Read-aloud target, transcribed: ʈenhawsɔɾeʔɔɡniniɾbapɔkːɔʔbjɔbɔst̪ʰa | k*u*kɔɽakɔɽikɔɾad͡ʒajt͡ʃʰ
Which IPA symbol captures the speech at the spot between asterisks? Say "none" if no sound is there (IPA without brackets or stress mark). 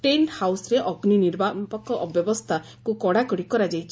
u